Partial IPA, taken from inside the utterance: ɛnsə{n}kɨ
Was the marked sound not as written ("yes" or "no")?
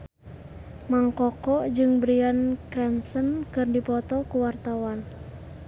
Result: no